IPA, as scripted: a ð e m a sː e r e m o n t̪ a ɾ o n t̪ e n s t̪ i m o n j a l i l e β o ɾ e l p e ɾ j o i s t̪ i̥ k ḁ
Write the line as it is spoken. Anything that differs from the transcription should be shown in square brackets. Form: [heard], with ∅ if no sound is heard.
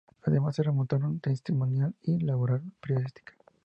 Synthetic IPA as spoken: a ð e m a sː e r e m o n t̪ a ɾ o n t̪ e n s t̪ i m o n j a l i l [a] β o ɾ [a] l p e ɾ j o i s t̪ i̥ k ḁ

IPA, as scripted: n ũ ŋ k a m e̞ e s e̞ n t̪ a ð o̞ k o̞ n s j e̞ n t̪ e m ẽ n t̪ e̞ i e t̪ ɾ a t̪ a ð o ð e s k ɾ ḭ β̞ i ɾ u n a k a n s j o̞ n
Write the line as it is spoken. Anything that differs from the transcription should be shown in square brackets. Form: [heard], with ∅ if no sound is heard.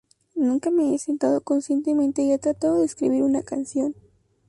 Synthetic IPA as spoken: n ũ ŋ k a m e̞ e s e̞ n t̪ a ð o̞ k o̞ n s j e̞ n t̪ e m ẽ n t̪ e̞ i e t̪ ɾ a t̪ a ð o ð e s k ɾ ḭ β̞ i ɾ u n a k a n s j o̞ n

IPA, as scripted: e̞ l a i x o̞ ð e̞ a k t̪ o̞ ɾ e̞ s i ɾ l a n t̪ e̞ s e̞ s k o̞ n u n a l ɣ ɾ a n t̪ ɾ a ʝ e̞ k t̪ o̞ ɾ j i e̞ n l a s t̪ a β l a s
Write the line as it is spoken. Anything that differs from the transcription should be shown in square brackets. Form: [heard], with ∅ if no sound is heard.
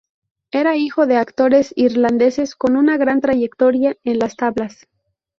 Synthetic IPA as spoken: e̞ [ɾ] a i x o̞ ð e̞ a k t̪ o̞ ɾ e̞ s i ɾ l a n [d̪] e̞ s e̞ s k o̞ n u n a [∅] ɣ ɾ a n t̪ ɾ a ʝ e̞ k t̪ o̞ ɾ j [a] e̞ n l a s t̪ a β l a s

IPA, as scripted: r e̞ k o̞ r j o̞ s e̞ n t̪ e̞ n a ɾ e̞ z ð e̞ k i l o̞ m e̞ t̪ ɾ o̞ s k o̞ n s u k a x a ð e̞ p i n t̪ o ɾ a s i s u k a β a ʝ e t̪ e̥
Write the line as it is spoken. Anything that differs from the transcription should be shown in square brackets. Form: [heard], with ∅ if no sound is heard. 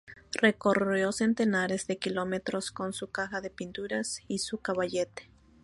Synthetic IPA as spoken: r e̞ k o̞ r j o̞ s e̞ n t̪ e̞ n a ɾ e̞ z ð e̞ k i l o̞ m e̞ t̪ ɾ o̞ s k o̞ n s u k a x a ð e̞ p i n t̪ [u] ɾ a s i s u k a β a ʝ e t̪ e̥

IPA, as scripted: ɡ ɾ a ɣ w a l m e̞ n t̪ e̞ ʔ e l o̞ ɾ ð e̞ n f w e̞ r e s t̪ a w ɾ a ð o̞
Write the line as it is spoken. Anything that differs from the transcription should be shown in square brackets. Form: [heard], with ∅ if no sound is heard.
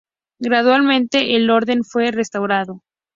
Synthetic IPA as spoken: ɡ ɾ a [ð] w a l m [ẽ̞] n t̪ e̞ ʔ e l o̞ ɾ ð e̞ n f w e̞ r e s t̪ a w ɾ a ð o̞

